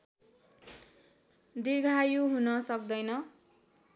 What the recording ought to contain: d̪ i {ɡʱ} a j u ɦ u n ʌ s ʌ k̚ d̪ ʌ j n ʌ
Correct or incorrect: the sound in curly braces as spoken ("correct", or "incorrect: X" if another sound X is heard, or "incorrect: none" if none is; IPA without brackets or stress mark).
correct